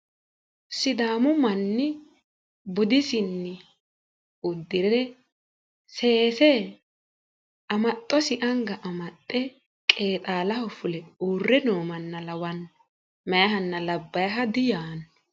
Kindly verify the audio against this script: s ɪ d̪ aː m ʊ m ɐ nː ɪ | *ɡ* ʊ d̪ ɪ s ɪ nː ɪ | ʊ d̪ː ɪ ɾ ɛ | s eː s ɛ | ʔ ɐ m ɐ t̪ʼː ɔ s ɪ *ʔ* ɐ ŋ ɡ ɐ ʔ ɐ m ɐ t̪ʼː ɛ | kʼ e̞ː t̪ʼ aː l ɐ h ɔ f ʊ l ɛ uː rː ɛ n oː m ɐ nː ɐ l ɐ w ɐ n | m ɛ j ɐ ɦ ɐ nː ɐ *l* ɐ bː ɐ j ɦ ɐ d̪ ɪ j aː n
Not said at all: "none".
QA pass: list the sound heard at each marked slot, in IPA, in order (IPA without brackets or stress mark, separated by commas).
b, ʔ, l